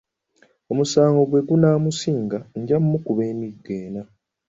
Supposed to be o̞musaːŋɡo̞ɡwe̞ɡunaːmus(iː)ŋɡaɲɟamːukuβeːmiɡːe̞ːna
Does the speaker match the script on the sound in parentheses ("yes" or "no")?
yes